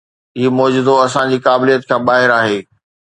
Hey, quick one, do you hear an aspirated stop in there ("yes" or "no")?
yes